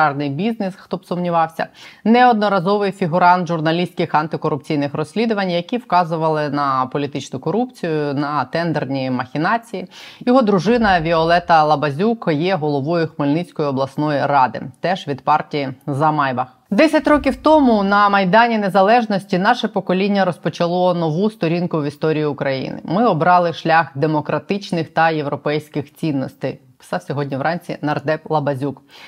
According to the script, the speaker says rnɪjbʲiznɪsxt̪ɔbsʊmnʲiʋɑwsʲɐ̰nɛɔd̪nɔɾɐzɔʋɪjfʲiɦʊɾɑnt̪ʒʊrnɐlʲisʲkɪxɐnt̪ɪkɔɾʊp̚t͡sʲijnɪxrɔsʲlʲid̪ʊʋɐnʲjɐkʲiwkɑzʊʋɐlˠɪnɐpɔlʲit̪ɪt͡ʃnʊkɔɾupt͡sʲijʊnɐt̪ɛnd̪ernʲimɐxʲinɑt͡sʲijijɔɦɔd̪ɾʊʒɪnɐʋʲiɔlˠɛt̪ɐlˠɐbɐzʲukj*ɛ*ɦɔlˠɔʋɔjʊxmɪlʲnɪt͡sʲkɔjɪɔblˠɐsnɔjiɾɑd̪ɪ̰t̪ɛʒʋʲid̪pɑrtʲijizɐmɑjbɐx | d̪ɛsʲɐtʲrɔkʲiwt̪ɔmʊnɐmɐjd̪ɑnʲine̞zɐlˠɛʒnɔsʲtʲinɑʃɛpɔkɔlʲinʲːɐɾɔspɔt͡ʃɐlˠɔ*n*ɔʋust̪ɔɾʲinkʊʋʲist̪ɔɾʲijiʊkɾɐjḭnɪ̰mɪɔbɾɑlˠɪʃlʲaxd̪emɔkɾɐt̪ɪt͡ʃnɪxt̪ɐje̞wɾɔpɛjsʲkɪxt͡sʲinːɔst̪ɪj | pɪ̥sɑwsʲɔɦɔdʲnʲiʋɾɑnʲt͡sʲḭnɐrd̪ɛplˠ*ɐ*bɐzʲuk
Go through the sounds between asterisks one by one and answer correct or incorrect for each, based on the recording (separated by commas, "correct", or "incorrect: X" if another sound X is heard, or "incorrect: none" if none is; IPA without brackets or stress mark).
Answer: correct, correct, correct